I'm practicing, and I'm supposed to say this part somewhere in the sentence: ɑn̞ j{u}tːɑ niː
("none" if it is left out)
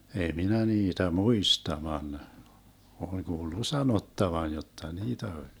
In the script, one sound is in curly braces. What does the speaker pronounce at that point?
o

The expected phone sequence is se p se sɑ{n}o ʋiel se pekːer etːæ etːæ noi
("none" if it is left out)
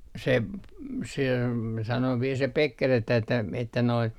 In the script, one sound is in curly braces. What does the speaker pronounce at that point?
n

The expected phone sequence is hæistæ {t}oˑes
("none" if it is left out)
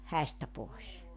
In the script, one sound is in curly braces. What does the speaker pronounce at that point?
p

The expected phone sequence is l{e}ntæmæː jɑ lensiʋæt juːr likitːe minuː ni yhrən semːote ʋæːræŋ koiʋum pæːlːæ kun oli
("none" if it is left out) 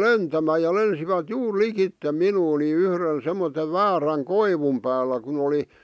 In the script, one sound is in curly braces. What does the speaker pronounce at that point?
e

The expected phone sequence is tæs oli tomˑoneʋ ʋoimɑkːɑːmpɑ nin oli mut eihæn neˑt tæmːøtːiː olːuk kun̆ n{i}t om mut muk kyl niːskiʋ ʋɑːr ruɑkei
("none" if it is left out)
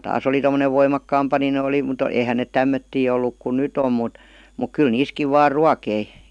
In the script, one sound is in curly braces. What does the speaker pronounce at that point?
y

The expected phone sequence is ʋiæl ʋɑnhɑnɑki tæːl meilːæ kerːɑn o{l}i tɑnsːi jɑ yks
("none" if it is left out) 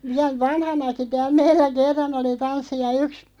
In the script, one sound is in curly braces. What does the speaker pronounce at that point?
l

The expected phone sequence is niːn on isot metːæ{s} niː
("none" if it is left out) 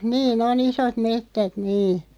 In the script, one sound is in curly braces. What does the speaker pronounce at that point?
t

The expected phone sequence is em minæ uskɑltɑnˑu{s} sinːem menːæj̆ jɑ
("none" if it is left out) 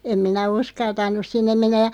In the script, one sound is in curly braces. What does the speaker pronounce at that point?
s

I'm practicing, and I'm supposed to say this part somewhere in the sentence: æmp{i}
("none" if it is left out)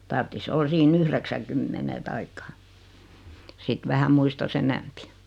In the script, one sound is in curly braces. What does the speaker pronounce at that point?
i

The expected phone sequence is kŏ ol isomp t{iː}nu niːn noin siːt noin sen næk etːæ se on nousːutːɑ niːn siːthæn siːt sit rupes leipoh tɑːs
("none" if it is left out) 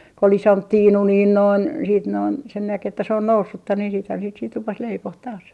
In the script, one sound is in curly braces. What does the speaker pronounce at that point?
iː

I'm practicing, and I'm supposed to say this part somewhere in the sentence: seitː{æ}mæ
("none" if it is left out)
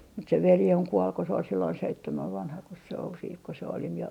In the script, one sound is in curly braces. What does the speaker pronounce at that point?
e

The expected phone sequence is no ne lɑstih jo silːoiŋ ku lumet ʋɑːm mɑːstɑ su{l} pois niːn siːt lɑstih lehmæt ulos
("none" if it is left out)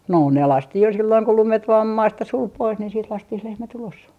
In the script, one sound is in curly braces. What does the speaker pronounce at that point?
l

